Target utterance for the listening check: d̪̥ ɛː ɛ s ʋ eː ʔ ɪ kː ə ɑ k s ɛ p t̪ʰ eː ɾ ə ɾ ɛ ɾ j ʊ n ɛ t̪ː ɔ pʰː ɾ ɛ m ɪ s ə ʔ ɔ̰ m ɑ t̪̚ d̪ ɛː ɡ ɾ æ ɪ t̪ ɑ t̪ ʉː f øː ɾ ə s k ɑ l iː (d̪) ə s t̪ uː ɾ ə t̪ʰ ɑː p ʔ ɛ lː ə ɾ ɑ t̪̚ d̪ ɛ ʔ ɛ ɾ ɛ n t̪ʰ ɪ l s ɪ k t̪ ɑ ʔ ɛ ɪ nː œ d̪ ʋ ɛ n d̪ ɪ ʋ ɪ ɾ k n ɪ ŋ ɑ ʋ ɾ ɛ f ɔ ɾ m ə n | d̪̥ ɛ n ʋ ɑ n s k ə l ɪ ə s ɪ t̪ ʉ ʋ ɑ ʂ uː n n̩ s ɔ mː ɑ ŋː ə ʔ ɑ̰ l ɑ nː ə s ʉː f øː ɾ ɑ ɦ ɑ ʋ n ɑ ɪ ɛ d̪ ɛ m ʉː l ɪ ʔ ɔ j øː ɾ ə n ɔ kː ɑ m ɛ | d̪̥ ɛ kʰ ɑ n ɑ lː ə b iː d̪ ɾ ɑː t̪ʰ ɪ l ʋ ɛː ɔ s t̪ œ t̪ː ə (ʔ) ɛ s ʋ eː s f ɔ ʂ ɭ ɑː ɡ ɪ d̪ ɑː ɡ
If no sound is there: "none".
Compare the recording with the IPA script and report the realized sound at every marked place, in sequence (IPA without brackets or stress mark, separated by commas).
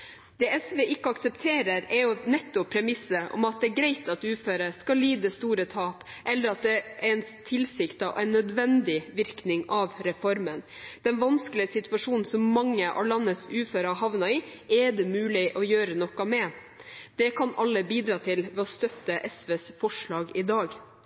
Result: d̪, ʔ